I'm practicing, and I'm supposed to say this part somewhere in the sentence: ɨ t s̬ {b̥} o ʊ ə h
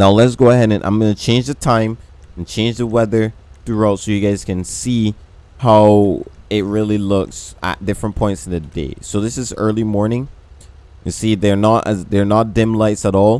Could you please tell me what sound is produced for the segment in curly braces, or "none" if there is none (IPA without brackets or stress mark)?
ɡ̥